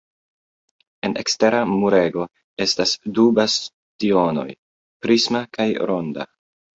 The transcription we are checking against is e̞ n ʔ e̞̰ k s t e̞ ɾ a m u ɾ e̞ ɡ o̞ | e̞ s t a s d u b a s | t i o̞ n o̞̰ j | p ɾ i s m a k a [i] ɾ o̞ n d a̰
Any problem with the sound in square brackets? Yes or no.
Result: yes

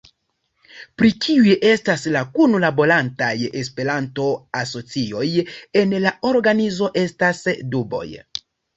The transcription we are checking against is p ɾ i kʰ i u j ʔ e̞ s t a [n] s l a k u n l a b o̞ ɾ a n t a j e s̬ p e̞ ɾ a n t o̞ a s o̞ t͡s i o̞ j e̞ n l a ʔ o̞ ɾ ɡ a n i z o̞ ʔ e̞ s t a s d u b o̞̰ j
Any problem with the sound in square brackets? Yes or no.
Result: yes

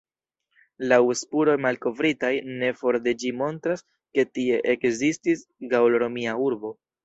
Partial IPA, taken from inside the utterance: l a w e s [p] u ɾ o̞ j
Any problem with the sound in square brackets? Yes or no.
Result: no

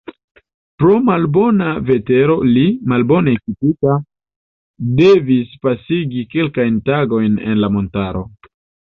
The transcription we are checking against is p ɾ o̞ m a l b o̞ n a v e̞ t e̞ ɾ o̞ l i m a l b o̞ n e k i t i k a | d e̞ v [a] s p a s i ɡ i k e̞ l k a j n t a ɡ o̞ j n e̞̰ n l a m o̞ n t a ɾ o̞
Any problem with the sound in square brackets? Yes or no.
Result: yes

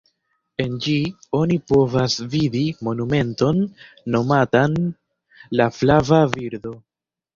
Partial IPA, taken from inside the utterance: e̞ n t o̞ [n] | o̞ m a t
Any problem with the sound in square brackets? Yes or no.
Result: yes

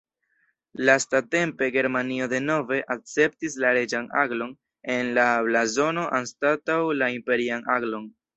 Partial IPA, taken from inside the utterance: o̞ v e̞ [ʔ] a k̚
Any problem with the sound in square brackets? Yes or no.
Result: no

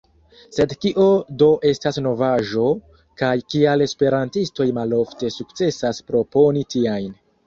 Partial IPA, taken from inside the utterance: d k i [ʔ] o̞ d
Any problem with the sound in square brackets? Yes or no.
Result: no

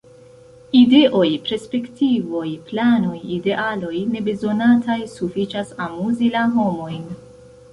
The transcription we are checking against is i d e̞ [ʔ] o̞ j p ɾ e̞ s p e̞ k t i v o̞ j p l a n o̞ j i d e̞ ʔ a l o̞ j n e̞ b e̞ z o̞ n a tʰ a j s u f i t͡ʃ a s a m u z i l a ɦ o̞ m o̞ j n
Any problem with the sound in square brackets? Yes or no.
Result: no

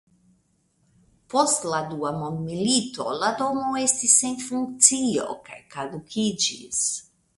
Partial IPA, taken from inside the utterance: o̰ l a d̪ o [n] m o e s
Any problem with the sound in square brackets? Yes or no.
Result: yes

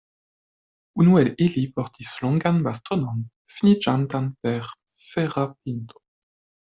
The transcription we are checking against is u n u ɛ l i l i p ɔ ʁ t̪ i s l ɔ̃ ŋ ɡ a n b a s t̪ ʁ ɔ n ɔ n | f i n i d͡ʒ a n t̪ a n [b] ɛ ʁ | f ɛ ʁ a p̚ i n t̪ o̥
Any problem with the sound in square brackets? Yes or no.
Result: yes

